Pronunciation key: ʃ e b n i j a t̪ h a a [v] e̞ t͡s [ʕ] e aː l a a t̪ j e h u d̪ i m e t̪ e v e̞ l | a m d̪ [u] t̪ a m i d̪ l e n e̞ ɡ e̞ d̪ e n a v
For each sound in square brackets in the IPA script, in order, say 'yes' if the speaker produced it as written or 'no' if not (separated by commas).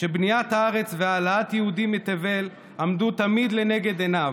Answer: no, no, yes